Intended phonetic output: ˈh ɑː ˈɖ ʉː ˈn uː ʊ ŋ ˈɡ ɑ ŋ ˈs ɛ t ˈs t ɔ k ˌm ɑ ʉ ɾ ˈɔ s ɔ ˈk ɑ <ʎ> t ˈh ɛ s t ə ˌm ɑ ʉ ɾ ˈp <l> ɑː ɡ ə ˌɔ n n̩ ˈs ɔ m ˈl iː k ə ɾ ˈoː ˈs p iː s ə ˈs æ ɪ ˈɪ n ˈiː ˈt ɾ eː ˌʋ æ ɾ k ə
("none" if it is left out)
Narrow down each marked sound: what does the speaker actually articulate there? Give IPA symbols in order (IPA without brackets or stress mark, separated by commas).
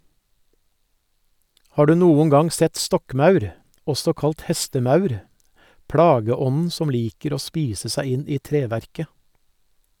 l, ɽ